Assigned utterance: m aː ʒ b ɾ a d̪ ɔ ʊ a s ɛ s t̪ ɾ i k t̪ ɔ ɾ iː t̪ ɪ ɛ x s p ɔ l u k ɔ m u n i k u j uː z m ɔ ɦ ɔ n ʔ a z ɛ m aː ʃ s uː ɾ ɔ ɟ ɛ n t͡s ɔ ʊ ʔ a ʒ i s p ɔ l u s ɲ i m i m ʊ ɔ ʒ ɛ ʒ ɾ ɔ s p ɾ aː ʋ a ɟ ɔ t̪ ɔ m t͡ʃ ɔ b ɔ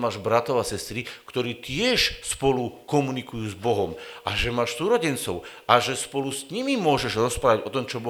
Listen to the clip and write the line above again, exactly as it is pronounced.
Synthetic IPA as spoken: m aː ʒ b ɾ a t̪ ɔ ʊ a s ɛ s t̪ ɾ i k t̪ ɔ ɾ iː t̪ ɪ ɛ ʃ s p ɔ l u k ɔ m u n i k u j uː z b ɔ ɦ ɔ m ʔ a ʒ ɛ m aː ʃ s uː ɾ ɔ ɟ ɛ n t͡s ɔ ʊ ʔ a ʒ ɛ s p ɔ l u s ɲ i m i m ʊ ɔ ʒ ɛ ʒ ɾ ɔ s p ɾ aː ʋ a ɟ ɔ t̪ ɔ m t͡ʃ ɔ b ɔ